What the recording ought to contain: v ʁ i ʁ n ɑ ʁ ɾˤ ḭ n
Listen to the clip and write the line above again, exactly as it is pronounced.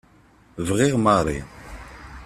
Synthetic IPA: v ʁ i ʁ m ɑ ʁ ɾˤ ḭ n